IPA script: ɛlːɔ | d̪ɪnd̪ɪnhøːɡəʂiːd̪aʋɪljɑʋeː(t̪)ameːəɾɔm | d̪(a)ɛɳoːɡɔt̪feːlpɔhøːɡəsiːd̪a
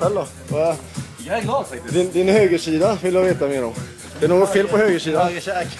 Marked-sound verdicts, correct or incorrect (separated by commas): correct, incorrect